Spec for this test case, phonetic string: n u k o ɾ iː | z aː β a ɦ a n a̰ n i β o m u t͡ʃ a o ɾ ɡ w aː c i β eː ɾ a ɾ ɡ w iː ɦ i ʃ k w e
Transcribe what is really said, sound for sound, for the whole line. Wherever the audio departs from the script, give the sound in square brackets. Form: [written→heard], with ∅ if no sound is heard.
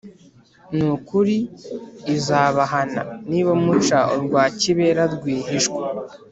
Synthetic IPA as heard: n u k [o→u] ɾ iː | z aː β a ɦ a n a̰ n i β o m u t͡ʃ a o ɾ ɡ w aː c i β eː ɾ a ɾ ɡ w iː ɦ i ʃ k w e

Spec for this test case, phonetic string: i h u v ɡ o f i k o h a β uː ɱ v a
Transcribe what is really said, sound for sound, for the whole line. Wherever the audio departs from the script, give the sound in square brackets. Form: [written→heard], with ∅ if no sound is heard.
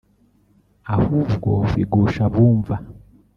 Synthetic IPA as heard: [i→a] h u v ɡ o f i [k→ɡ] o [h→ʃ] a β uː ɱ v a

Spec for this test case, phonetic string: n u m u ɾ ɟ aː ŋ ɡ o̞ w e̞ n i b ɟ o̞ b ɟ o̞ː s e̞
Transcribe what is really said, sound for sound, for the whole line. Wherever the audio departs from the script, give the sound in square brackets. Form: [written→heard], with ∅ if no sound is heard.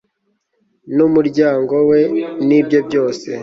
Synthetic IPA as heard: n u m u ɾ ɟ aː ŋ ɡ o̞ w e̞ n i b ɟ o̞ b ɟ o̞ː s e̞

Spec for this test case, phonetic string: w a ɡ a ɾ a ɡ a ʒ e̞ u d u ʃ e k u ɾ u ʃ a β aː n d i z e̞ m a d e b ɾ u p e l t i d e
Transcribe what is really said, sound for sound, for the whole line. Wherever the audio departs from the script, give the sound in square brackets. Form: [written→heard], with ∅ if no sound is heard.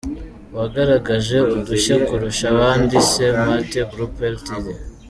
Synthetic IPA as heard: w a ɡ a ɾ a ɡ a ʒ e̞ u d u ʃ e k u ɾ u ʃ a β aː n d i [z→s] e̞ m a [d→t] e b ɾ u p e l t i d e

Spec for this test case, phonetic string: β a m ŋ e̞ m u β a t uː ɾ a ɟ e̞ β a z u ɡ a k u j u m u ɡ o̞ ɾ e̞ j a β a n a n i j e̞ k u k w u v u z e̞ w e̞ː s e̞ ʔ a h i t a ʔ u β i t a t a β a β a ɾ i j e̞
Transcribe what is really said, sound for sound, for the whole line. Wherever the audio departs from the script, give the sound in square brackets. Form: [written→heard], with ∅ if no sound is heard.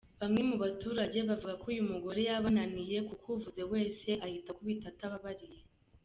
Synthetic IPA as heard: β a m ŋ e̞ m u β a t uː ɾ a ɟ e̞ β a [z→v] u ɡ a k u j u m u ɡ o̞ ɾ e̞ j a β a n a n i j e̞ k u k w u v u z e̞ w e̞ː s e̞ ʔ a h i t a [ʔ→k] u β i t a t a β a β a ɾ i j e̞

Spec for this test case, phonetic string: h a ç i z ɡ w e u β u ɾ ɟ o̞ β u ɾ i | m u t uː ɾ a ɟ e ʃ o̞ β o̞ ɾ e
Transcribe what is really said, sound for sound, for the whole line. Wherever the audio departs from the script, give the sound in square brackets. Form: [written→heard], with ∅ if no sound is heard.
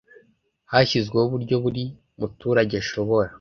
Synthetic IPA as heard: h a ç i z ɡ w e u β u ɾ ɟ o̞ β u ɾ i | m u t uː ɾ a ɟ e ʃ o̞ β o̞ ɾ [e→a]

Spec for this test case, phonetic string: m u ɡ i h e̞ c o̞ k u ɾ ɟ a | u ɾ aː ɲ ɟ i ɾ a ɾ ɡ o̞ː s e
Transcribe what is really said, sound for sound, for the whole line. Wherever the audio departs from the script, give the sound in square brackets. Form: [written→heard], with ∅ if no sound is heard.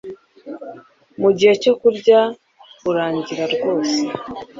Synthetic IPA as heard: m u [ɡ→ɟ] i h e̞ c o̞ k u ɾ ɟ a | u ɾ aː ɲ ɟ i ɾ a ɾ ɡ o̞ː s e

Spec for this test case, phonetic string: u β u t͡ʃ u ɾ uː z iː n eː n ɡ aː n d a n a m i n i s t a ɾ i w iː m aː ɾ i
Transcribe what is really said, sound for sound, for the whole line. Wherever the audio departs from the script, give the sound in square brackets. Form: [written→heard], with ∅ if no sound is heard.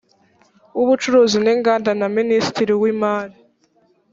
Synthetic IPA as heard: u β u t͡ʃ u ɾ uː z [iː→i] n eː [n→ŋ] ɡ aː n d a n a m i n i s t [a→i] ɾ i w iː m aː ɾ i

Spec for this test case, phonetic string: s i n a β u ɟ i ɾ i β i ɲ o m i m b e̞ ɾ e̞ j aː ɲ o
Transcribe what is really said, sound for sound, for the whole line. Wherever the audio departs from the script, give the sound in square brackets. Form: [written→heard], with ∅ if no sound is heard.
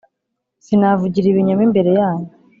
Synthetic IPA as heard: s i n a [β→v] u ɟ i ɾ i β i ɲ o m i m b e̞ ɾ e̞ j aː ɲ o

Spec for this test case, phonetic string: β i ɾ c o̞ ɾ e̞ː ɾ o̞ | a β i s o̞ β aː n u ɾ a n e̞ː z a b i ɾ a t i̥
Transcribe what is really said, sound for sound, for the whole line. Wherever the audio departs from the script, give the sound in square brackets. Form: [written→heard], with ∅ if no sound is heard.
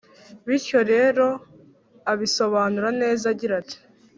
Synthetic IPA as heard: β i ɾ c o̞ ɾ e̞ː ɾ o̞ | a β i s o̞ β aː n u ɾ a n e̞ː z a [b→ɟ] i ɾ a t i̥

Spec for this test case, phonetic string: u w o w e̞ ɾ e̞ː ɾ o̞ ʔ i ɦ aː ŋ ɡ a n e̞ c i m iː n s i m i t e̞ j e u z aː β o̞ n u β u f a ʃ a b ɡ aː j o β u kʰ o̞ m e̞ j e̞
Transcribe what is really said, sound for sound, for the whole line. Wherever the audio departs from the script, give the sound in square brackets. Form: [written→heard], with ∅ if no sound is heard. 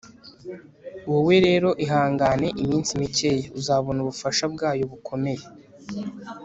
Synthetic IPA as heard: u w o w e̞ ɾ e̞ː ɾ o̞ ʔ i ɦ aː ŋ ɡ a n e̞ [c→ʔ] i m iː n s i m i [t→c] e̞ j e u z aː β o̞ n u β u f a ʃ a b ɡ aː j o β u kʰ o̞ m e̞ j e̞

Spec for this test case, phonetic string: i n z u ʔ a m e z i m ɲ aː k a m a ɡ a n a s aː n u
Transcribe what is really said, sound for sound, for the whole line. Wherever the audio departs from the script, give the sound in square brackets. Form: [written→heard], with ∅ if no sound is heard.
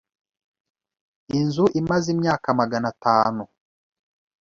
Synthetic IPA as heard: i n z u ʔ [a→i] m [e→a] z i m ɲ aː k a m a ɡ a n a [s→t] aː n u

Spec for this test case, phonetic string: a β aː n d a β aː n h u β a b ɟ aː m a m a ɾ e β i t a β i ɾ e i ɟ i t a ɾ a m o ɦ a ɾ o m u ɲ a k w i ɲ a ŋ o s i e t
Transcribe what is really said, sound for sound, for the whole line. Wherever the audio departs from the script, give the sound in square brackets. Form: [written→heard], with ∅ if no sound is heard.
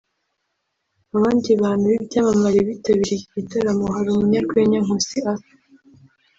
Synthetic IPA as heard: a β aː n d [a→i] β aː n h u β [a→i] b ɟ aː m a m a ɾ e β i t a β i ɾ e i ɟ i t a ɾ a m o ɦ a ɾ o m u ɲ a k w [i→e] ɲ a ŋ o s i [e→a] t

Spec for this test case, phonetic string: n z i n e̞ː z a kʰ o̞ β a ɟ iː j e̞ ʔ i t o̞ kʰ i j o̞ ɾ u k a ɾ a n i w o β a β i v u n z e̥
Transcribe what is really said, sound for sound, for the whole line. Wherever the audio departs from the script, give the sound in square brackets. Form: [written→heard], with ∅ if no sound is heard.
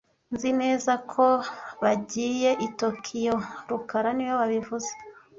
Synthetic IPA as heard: n z i n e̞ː z a kʰ o̞ β a ɟ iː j e̞ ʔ i t o̞ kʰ i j o̞ ɾ u k a ɾ a n i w o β a β i v u [n→∅] z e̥

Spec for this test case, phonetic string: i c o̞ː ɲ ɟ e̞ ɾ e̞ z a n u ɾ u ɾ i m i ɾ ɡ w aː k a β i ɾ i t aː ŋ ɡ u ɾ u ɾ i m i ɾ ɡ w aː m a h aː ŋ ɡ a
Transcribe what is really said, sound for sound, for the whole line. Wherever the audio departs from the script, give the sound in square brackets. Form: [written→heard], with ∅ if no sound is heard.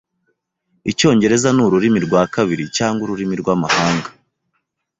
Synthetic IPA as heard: i c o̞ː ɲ ɟ e̞ ɾ e̞ z a n u ɾ u ɾ i m i ɾ ɡ w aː k a β i ɾ i [t→c] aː ŋ ɡ u ɾ u ɾ i m i ɾ ɡ w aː m a h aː ŋ ɡ a

